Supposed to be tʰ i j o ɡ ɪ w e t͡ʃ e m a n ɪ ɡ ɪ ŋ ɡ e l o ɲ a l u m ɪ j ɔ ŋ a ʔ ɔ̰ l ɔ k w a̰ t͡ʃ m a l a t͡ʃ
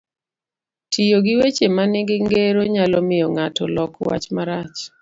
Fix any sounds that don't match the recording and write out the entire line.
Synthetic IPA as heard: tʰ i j o ɡ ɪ w e t͡ʃ e m a n ɪ ɡ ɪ ŋ ɡ e ɾ o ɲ a l ɔ m ɪ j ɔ ŋ a t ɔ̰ l ɔ k w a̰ t͡ʃ m a ɾ a t͡ʃ